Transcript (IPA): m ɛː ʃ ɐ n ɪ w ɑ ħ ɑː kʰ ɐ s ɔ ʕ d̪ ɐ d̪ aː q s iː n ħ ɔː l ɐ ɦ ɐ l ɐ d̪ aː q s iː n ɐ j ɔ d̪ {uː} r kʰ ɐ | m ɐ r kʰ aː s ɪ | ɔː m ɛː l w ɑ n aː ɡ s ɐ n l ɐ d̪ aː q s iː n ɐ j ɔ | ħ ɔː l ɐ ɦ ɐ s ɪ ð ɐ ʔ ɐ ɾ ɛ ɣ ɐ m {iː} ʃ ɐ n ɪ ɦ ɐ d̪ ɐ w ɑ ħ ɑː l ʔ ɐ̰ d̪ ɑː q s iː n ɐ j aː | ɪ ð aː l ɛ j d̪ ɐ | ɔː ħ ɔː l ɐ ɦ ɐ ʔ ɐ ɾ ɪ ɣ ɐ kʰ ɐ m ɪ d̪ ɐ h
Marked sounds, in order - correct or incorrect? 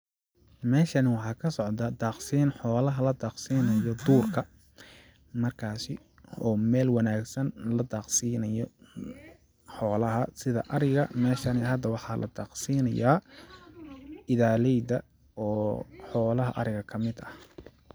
correct, incorrect

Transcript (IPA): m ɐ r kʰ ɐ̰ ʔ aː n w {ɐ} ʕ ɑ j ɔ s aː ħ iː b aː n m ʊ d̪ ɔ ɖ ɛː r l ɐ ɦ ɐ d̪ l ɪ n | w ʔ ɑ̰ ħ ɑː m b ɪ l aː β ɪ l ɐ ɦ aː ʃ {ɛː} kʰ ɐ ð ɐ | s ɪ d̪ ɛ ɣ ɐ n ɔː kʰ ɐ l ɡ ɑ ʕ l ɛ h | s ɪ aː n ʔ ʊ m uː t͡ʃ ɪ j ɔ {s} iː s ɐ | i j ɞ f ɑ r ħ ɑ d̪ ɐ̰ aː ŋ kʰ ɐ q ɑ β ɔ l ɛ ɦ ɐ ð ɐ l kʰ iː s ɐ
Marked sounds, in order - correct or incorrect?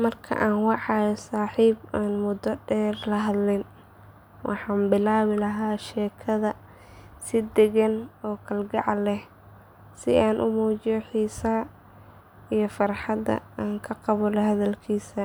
incorrect, correct, incorrect

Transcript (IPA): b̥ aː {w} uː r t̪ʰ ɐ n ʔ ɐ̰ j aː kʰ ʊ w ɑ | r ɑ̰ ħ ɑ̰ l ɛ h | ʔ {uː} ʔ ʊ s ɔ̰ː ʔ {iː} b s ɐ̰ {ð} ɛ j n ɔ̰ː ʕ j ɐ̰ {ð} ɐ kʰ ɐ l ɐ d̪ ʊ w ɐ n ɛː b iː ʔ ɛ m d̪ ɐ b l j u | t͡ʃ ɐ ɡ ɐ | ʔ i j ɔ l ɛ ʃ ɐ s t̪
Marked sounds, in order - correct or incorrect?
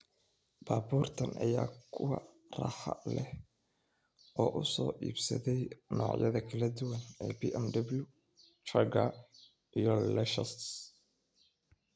incorrect, incorrect, correct, correct, correct

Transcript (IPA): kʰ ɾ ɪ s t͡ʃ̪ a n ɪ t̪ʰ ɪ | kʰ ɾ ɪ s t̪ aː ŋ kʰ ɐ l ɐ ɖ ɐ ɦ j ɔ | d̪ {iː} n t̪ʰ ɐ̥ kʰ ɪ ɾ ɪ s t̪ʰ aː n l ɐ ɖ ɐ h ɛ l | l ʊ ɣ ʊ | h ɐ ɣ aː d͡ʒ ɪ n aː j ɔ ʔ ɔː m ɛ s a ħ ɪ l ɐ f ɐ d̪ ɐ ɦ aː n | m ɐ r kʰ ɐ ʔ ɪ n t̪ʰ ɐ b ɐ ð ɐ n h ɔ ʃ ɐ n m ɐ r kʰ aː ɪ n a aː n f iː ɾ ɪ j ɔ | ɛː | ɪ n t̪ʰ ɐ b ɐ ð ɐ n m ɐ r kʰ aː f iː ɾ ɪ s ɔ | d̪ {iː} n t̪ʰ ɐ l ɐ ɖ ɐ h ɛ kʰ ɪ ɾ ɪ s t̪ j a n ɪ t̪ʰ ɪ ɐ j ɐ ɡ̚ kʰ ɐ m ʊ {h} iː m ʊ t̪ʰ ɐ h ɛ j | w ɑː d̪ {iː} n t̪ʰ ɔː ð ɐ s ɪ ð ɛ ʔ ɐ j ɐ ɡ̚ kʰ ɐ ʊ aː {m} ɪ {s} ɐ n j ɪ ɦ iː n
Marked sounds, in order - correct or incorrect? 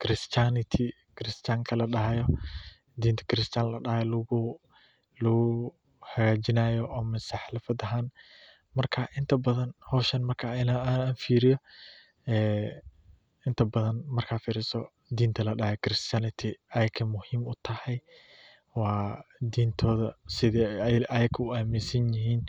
correct, correct, correct, correct, correct, correct

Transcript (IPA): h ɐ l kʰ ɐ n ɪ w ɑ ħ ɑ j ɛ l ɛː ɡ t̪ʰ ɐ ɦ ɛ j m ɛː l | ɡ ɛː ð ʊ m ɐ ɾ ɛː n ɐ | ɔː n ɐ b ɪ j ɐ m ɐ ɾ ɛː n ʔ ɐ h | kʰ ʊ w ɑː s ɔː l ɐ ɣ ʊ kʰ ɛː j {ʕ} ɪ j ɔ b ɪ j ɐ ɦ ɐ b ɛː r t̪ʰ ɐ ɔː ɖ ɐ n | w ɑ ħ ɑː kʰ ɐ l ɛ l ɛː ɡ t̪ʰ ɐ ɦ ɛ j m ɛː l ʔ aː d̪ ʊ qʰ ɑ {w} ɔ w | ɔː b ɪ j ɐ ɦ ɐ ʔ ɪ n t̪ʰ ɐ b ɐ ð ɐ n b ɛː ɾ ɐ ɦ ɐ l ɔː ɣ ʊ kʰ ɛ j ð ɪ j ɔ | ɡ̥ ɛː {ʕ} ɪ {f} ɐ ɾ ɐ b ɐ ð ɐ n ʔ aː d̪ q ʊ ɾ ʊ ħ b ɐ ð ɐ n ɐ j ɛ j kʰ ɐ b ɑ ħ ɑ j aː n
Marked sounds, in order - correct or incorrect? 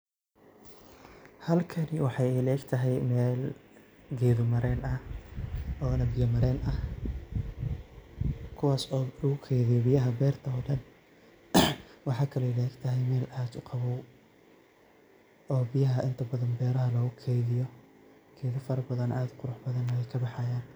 incorrect, incorrect, incorrect, correct

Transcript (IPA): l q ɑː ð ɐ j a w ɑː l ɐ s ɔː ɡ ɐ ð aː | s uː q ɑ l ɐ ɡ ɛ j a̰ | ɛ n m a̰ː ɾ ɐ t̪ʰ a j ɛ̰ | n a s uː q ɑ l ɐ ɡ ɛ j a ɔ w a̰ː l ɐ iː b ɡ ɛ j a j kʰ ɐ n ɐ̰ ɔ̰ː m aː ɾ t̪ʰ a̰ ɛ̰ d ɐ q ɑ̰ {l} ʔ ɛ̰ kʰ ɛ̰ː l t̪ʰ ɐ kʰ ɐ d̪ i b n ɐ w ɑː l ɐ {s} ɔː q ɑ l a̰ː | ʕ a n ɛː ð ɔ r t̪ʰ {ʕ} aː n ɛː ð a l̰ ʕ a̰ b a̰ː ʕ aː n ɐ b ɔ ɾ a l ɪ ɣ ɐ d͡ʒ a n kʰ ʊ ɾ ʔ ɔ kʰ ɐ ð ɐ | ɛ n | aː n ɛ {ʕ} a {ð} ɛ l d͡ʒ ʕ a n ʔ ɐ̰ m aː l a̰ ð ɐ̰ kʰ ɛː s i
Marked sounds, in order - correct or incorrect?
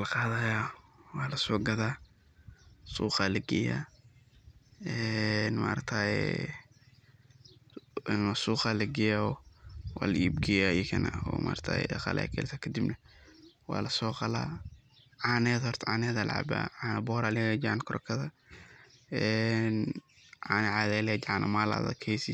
correct, correct, correct, correct, correct

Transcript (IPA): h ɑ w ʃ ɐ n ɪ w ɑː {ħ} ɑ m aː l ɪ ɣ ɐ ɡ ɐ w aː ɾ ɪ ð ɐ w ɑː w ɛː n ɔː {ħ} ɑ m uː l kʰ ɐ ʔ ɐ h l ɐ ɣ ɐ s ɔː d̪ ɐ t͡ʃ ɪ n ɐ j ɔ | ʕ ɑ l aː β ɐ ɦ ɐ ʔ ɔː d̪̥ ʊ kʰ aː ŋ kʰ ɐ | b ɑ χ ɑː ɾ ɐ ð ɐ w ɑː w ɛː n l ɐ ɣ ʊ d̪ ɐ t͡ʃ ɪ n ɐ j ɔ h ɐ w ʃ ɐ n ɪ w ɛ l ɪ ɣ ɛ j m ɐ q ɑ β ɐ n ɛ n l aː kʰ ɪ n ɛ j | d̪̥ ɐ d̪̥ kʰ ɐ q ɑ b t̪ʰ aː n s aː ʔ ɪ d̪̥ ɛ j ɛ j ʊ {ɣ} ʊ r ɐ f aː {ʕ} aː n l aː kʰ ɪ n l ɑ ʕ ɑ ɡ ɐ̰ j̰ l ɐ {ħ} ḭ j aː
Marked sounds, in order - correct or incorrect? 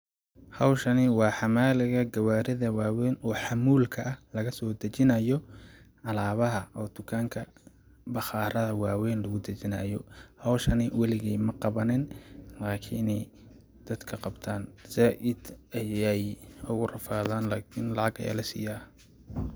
correct, correct, correct, incorrect, incorrect

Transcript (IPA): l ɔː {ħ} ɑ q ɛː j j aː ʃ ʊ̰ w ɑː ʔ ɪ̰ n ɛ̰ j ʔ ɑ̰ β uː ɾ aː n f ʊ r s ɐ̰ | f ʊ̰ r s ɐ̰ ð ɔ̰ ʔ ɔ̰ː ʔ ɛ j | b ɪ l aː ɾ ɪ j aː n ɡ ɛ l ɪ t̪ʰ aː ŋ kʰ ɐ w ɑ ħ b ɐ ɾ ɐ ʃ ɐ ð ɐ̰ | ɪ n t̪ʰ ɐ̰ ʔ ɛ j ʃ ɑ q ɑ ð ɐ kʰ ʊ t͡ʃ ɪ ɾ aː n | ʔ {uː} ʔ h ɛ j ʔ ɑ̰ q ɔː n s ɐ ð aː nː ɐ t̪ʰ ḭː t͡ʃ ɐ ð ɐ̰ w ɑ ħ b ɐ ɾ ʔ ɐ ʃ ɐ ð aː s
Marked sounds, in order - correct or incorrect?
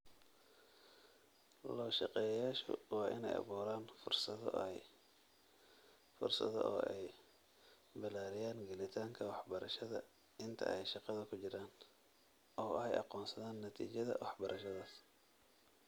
incorrect, incorrect

